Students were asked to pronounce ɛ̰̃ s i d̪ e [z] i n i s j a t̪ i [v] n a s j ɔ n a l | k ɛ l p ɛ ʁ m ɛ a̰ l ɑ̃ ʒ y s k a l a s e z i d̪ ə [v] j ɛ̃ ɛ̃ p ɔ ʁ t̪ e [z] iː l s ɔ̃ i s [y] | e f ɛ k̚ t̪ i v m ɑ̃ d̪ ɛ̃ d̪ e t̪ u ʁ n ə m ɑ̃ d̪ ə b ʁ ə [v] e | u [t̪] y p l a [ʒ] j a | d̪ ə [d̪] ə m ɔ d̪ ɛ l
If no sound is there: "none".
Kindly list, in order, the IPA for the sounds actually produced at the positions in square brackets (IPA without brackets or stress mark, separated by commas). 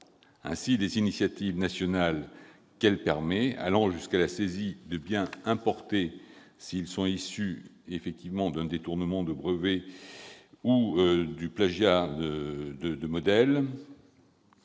z, v, b, s, y, v, d̪, ʒ, d̪